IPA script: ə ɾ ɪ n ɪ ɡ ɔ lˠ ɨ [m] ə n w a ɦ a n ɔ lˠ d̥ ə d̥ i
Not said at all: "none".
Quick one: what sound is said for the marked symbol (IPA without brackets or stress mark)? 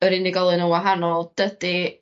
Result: n